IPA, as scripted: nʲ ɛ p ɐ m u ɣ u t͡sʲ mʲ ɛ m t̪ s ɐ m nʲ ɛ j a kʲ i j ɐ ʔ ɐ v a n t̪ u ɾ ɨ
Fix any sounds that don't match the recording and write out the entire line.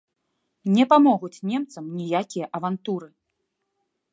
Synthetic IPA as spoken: nʲ ɛ p a m ɔ ɣ u t͡sʲ nʲ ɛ m t̪ s ɐ m nʲ i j a kʲ i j ɐ ʔ ɐ v a n t̪ u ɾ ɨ